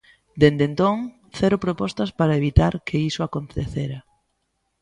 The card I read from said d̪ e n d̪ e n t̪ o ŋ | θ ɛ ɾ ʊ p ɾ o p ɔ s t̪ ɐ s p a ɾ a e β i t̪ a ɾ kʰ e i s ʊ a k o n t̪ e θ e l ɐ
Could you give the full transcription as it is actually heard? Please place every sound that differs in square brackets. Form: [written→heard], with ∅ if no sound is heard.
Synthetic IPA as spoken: d̪ e n d̪ e n t̪ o ŋ | θ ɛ ɾ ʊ p ɾ o p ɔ s t̪ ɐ s p a ɾ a e β i t̪ a ɾ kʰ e i s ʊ a k o n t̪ e θ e [l→ɾ] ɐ